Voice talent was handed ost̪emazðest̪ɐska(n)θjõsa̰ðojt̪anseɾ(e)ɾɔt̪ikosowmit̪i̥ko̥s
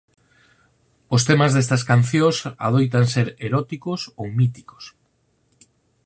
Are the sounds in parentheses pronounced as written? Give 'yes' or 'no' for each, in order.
yes, yes

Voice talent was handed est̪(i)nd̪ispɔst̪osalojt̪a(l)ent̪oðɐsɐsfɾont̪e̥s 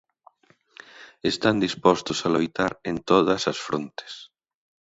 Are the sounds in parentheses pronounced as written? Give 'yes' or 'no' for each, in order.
no, no

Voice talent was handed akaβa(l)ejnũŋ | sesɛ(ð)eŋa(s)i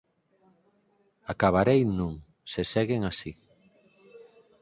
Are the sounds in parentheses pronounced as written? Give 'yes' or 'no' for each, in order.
no, no, yes

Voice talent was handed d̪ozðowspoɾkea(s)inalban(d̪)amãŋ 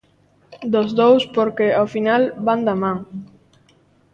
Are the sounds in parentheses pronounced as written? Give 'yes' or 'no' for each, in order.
no, yes

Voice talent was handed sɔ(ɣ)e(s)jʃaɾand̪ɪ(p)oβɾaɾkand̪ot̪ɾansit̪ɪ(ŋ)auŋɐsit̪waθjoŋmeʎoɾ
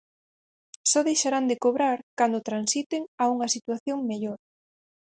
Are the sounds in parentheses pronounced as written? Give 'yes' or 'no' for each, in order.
no, no, no, yes

